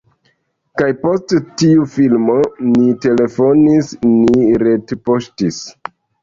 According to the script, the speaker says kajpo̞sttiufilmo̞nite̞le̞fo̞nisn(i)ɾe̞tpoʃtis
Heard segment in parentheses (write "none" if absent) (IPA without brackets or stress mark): i